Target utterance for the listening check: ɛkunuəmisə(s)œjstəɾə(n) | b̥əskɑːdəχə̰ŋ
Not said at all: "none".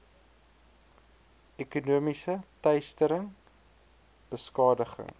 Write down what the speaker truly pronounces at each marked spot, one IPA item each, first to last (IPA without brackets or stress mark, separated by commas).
t, ŋ